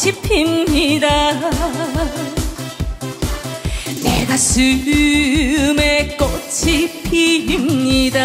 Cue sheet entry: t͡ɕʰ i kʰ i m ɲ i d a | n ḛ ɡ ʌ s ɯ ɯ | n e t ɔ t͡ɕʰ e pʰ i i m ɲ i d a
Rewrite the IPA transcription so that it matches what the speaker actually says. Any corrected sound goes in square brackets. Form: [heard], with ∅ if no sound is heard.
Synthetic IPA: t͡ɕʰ i [pʰ] i m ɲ i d a | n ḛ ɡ [a] s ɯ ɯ | [m] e [k] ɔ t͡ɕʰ [i] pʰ i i m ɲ i d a

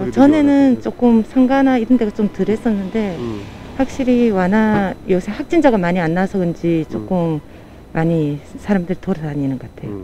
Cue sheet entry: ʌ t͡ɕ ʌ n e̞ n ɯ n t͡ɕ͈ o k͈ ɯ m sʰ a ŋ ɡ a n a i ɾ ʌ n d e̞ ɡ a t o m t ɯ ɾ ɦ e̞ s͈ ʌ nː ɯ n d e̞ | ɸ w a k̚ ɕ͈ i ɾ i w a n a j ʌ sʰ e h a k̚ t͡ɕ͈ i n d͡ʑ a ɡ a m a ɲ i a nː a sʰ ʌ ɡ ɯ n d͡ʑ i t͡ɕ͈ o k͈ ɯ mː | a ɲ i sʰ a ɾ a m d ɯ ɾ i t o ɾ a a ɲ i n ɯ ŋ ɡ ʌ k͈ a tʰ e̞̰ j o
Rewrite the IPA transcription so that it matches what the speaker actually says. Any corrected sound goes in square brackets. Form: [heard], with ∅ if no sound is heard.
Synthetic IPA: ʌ t͡ɕ ʌ n e̞ n ɯ n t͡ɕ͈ o k͈ ɯ m sʰ a ŋ ɡ a n a i ɾ ʌ n d e̞ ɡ a [t͡ɕ] o m t ɯ ɾ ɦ e̞ s͈ ʌ nː ɯ n d e̞ | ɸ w a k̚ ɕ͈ i ɾ i w a n a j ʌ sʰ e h a k̚ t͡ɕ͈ i n d͡ʑ a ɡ a m a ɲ i a nː a sʰ ʌ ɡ ɯ n d͡ʑ i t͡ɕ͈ o k͈ ɯ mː | a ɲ i sʰ a ɾ a m d ɯ ɾ i t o ɾ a a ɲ i n ɯ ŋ ɡ ʌ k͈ a tʰ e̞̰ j o

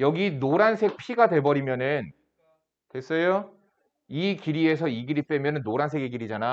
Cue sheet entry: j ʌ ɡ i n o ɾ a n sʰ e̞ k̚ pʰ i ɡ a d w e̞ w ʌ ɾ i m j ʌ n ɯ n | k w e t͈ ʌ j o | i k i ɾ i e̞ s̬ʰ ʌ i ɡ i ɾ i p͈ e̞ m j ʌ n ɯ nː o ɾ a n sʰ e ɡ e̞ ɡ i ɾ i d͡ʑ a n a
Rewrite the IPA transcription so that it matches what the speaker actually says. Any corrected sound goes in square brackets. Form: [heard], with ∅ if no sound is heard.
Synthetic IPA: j ʌ ɡ i n o ɾ a n sʰ e̞ k̚ pʰ i ɡ a d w e̞ [b] ʌ ɾ i m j ʌ n ɯ n | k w e [s͈] ʌ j o | i k i ɾ i e̞ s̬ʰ ʌ i ɡ i ɾ i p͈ e̞ m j ʌ n ɯ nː o ɾ a n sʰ e ɡ e̞ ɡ i ɾ i d͡ʑ a n a

